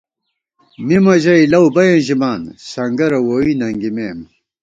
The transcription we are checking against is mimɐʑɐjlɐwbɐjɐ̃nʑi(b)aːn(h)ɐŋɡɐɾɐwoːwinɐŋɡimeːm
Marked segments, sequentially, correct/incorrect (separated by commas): incorrect, incorrect